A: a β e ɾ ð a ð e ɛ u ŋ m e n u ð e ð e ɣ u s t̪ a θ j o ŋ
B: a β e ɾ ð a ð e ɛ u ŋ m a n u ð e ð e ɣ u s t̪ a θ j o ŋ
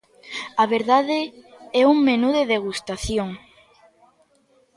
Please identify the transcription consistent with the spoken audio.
A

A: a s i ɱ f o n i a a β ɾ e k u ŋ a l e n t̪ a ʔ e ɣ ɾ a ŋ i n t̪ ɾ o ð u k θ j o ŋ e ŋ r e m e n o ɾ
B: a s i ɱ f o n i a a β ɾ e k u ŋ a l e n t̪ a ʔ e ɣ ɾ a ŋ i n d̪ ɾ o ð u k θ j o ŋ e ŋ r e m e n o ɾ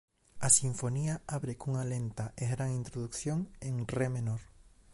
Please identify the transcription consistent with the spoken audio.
A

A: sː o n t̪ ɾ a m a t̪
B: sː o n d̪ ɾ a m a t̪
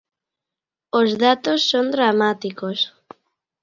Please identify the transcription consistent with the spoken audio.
B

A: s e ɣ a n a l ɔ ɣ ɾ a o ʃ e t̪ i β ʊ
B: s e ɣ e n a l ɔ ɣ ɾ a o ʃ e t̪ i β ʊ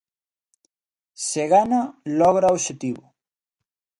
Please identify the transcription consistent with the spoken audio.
A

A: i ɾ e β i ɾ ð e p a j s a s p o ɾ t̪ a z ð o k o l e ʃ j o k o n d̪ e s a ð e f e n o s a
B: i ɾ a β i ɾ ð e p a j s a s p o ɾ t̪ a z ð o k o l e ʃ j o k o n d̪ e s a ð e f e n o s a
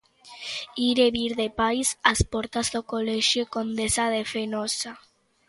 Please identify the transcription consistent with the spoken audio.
A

